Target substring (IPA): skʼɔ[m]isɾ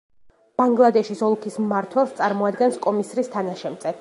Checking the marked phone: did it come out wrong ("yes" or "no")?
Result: no